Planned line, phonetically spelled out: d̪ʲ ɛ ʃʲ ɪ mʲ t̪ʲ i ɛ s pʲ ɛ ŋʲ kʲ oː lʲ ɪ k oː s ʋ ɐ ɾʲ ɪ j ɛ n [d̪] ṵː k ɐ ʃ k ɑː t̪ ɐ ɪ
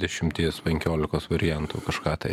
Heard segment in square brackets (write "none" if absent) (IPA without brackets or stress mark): t̪